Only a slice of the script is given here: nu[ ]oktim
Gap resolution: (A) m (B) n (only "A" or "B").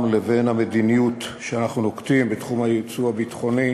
B